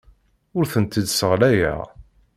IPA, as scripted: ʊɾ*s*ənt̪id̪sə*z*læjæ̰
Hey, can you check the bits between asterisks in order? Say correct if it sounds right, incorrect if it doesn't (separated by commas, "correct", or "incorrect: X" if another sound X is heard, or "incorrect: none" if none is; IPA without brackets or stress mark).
incorrect: θ, incorrect: ʁ